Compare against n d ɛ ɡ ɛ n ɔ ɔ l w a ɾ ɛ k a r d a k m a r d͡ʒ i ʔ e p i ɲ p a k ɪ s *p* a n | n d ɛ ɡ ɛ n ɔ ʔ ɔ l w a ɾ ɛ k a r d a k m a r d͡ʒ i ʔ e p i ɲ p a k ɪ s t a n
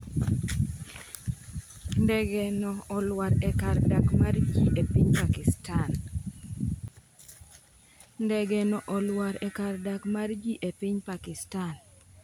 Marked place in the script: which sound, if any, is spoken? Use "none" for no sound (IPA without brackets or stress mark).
t